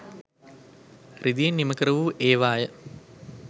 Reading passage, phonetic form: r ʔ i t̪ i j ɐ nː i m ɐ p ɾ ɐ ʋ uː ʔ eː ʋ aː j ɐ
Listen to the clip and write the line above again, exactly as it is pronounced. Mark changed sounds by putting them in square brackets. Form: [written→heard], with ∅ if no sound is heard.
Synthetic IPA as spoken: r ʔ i [t̪→d̪] i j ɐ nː i m ɐ [p→k] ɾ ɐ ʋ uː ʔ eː ʋ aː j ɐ